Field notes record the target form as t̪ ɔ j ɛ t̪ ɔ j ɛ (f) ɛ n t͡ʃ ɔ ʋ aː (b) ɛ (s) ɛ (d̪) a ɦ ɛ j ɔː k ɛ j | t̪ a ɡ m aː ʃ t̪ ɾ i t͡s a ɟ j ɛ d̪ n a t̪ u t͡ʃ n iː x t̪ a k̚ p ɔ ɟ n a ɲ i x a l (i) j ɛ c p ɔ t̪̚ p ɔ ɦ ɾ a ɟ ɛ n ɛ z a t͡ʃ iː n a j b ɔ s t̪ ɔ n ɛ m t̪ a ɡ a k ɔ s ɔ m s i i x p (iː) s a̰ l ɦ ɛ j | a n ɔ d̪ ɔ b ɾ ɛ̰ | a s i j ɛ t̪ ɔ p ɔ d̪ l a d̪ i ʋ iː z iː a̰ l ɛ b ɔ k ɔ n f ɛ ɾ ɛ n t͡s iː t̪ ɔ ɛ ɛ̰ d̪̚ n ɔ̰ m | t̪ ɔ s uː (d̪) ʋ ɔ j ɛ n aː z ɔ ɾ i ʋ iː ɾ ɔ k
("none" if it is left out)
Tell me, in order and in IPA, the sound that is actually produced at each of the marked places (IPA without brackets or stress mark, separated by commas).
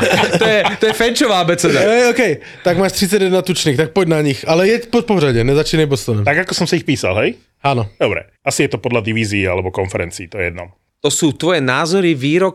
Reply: f, b, t͡s, d̪, ɛ, iː, t̪